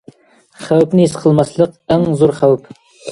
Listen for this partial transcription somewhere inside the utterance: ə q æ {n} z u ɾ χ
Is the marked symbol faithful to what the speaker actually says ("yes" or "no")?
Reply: no